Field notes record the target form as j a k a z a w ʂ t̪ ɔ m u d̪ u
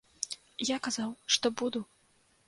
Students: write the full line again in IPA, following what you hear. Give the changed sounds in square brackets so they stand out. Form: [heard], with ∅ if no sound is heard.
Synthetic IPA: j a k a z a w ʂ t̪ ɔ [b] u d̪ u